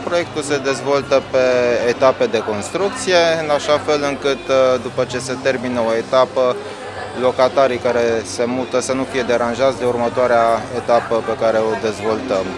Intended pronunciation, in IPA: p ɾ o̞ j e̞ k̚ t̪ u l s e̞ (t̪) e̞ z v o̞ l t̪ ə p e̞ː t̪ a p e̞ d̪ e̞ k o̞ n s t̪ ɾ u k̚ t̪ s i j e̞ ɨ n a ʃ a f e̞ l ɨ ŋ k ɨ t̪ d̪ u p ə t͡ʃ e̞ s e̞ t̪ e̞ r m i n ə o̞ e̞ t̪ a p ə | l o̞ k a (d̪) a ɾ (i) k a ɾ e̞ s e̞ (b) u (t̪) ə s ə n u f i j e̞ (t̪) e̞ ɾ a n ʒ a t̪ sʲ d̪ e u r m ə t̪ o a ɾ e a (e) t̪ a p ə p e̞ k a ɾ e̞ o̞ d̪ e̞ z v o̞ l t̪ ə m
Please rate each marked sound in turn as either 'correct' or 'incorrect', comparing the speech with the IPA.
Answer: incorrect, incorrect, correct, incorrect, correct, incorrect, correct

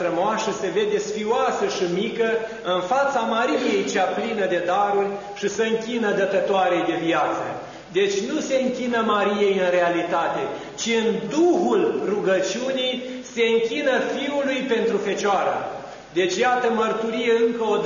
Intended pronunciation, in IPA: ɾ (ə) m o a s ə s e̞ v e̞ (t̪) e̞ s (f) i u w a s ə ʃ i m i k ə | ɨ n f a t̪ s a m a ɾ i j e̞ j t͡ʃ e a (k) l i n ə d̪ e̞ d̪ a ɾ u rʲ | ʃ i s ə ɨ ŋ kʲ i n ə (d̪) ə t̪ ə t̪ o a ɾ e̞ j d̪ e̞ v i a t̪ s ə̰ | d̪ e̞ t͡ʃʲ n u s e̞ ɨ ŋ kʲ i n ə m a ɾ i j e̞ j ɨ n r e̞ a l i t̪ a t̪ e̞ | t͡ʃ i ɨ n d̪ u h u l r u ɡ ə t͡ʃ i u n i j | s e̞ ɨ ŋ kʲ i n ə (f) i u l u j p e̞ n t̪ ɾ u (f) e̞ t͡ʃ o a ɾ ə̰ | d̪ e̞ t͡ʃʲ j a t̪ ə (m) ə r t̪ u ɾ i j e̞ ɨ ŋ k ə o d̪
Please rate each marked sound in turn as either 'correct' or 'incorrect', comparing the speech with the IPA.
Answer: correct, incorrect, correct, incorrect, correct, correct, correct, correct

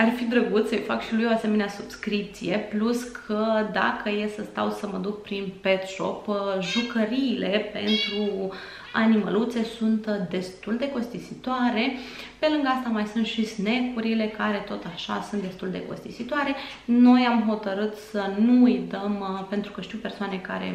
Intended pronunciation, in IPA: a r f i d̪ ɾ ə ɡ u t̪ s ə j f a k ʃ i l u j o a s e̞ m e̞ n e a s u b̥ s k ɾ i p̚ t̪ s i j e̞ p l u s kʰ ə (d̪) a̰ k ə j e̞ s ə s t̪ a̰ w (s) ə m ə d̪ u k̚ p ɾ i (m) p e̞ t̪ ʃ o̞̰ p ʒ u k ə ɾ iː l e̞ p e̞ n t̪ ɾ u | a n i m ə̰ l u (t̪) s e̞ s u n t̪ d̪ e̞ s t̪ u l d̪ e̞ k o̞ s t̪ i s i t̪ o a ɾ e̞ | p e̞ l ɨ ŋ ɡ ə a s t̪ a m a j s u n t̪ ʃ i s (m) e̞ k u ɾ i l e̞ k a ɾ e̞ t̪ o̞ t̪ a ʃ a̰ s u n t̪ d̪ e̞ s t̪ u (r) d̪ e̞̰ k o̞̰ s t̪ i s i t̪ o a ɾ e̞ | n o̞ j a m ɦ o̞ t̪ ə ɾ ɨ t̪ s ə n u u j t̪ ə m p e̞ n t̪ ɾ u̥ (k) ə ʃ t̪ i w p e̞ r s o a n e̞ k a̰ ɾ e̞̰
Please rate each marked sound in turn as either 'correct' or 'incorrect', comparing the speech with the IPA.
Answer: correct, correct, incorrect, correct, incorrect, incorrect, correct

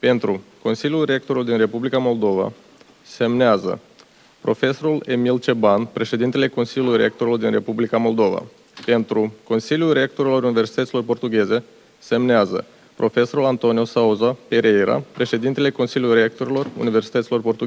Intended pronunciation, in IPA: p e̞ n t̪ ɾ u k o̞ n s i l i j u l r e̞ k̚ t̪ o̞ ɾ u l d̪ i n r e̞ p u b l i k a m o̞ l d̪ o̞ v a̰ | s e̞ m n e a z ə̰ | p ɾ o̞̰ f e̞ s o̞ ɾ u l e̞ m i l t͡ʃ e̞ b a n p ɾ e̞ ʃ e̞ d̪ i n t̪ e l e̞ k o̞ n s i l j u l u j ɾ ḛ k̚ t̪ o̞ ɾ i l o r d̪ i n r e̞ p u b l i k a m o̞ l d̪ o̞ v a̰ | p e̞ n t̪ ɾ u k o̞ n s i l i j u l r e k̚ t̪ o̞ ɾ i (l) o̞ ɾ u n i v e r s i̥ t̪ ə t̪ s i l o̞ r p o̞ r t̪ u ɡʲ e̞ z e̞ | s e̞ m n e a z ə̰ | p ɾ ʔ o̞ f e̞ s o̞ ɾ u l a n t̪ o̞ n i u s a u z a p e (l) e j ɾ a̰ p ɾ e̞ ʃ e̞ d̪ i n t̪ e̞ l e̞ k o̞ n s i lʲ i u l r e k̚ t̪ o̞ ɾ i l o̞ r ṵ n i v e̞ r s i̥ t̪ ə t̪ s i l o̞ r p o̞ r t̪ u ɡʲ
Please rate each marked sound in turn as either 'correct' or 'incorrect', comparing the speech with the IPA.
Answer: correct, incorrect

